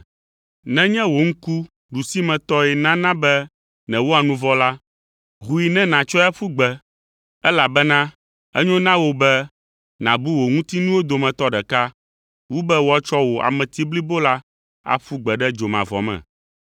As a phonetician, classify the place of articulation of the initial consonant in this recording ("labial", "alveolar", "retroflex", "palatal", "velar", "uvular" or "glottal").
alveolar